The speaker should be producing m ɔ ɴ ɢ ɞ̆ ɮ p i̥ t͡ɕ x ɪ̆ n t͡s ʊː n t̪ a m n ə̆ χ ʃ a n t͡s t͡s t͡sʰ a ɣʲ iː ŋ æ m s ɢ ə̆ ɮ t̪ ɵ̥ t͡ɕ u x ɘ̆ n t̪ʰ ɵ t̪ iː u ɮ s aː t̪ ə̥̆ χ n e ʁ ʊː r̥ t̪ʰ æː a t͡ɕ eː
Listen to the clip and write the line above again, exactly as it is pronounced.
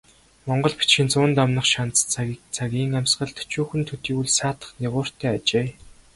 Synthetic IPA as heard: m ɔ ɴ ɢ ɞ̆ ɮ p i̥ t͡ɕ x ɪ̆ n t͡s ʊː n t̪ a m n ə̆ χ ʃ a n t͡s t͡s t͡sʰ a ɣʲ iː ŋ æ m s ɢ ə̆ ɮ t̪ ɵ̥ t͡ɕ uː x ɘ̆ n t̪ʰ ɵ t̪ iː u ɮ s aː t̪ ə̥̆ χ n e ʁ ʊː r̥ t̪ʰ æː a t͡ɕ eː